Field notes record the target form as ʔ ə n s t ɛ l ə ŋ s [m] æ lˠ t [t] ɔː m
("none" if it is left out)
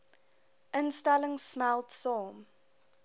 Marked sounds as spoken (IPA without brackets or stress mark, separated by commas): m, s